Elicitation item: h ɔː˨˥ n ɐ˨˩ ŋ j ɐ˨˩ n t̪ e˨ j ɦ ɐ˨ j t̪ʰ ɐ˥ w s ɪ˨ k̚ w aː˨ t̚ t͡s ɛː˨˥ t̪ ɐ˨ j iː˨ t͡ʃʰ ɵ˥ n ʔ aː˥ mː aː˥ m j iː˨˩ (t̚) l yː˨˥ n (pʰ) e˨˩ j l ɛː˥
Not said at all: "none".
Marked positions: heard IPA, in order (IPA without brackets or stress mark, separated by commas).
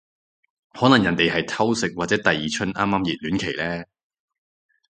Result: t̚, kʰ